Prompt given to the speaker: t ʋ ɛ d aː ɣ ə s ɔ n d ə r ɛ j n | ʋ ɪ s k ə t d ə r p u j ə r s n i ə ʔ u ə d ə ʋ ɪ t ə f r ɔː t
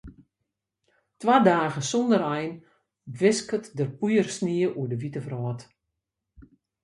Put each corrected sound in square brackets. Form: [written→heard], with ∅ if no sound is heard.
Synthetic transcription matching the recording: t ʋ [ɛ→a] d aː ɣ ə s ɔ n d ə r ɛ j n | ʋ ɪ s k ə t d ə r p u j ə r s n i ə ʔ u ə d ə ʋ [ɪ→i] t ə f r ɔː t